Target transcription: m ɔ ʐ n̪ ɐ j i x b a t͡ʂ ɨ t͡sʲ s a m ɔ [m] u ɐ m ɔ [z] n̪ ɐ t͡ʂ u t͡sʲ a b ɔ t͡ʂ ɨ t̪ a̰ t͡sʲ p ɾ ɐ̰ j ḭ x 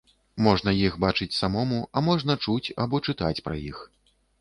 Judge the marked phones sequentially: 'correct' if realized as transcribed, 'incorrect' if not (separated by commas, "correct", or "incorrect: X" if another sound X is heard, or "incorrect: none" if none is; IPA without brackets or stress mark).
correct, incorrect: ʐ